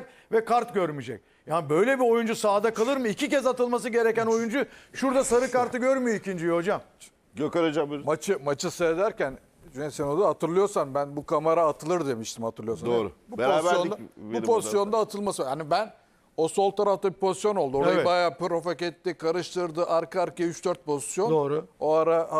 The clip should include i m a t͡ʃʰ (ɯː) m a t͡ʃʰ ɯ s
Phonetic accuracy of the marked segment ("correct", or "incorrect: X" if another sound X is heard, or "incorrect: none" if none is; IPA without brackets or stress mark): incorrect: ɯ